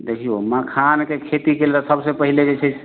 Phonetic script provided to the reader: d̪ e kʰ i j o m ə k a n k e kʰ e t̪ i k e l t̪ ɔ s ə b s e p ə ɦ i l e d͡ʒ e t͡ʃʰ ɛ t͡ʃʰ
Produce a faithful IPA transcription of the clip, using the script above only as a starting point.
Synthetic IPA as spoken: d̪ e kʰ i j o m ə kʰ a n k e kʰ e t̪ i k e l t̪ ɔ s ə b s e p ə ɦ i l e d͡ʒ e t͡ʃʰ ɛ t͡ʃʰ